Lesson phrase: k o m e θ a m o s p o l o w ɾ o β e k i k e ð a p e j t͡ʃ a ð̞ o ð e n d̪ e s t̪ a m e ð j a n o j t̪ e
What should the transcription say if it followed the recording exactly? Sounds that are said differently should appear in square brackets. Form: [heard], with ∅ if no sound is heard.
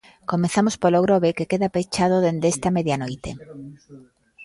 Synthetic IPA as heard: k o m e θ a m o s p o l o [ɣ] ɾ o β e k [e] k e ð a p e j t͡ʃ a ð̞ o ð e n d̪ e s t̪ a m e ð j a n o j t̪ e